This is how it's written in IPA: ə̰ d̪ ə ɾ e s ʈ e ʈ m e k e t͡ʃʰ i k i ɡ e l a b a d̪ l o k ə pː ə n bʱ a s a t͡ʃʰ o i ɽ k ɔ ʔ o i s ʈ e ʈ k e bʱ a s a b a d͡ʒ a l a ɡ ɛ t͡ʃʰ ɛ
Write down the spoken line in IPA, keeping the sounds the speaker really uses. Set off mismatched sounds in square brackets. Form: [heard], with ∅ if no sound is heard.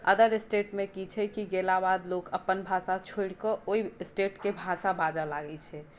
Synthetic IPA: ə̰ d̪ ə ɾ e s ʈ e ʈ m e k [i] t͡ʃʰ [ɛ] k i ɡ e l a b a d̪ l o k ə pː ə n bʱ a s a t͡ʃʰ o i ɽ k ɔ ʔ o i s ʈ e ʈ k e bʱ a s a b a d͡ʒ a l a ɡ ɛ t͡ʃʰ ɛ